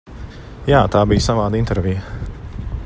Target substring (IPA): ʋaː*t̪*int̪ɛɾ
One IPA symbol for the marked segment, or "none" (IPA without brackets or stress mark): d̪